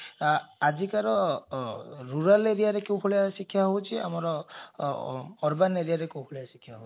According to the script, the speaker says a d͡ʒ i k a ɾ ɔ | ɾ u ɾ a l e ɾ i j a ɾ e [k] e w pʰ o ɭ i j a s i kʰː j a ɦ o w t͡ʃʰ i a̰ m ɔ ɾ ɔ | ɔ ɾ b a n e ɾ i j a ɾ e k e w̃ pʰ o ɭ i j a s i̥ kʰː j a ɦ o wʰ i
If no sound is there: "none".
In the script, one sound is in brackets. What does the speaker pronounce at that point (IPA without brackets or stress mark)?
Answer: k